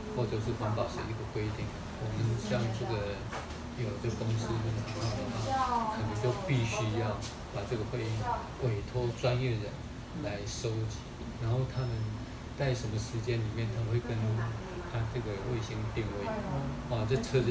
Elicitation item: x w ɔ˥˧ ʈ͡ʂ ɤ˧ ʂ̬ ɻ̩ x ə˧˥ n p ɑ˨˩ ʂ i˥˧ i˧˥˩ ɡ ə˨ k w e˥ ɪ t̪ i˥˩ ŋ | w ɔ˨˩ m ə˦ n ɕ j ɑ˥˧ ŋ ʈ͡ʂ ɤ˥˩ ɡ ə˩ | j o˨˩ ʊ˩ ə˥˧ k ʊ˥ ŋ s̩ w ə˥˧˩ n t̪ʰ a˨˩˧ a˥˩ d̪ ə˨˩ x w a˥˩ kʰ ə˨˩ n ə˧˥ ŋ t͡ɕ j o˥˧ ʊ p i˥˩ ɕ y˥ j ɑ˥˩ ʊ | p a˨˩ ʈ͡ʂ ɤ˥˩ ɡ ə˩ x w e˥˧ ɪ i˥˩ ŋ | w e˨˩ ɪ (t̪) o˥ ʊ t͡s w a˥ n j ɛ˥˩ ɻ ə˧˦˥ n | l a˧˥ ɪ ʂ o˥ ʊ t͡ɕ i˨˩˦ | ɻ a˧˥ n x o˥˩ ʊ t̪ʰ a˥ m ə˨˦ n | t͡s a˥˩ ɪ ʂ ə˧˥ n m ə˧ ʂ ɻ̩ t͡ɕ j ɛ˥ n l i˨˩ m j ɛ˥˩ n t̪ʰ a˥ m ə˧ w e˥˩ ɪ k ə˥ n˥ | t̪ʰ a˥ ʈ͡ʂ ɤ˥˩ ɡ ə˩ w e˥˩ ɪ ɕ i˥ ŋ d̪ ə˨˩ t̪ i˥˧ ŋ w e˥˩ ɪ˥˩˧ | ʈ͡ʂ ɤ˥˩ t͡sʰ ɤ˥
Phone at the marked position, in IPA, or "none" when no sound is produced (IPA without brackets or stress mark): t̪ʰ